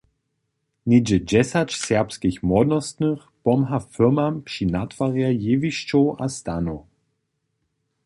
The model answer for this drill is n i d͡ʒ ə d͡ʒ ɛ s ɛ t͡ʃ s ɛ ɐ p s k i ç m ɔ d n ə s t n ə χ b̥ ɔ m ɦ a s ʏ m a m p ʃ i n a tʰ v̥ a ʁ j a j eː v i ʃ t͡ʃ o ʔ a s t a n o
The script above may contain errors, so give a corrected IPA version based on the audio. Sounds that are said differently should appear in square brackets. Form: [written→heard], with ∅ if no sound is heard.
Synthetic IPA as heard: n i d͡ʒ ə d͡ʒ ɛ s [ɛ→a] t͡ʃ s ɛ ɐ p s k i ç m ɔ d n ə s t n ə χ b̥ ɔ m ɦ a [s→f] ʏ m a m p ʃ i n a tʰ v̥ a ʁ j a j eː v i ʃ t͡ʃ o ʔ a s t a n o